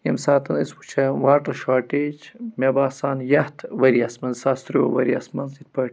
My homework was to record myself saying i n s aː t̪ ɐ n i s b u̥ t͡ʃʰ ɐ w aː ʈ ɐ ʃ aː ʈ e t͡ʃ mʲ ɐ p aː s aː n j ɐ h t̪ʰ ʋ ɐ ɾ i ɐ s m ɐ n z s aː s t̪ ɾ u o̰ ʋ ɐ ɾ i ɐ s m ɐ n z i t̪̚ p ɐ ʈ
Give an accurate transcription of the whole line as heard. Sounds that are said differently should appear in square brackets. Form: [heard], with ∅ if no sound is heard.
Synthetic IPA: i [m] s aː t̪ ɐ n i s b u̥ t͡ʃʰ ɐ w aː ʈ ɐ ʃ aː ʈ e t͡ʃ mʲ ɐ [b] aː s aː n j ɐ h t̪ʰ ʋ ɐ ɾ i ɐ s m ɐ n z s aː s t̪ ɾ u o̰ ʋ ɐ ɾ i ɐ s m ɐ n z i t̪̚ p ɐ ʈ